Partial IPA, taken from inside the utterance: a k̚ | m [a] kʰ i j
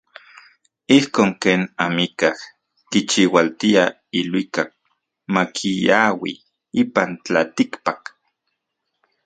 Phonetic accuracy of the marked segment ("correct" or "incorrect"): correct